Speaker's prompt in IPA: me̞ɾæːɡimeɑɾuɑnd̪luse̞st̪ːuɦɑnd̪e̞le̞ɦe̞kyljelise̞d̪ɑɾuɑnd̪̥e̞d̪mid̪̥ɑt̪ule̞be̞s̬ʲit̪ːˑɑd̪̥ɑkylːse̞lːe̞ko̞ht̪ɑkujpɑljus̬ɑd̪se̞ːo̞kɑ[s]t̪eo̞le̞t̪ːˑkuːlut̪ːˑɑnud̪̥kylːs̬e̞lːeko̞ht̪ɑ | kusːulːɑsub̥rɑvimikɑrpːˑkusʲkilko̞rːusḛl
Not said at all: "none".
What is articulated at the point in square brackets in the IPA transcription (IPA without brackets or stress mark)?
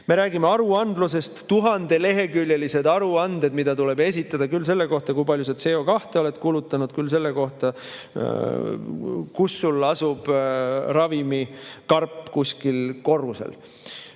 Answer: h